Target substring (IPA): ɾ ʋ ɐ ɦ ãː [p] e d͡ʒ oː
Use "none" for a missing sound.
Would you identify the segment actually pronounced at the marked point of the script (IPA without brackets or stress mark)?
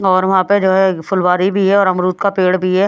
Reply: p